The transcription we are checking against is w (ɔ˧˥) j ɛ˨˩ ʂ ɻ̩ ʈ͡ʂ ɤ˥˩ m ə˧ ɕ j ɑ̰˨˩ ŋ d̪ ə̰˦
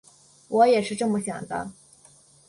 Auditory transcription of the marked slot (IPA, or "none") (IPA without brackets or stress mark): ɔ˧˥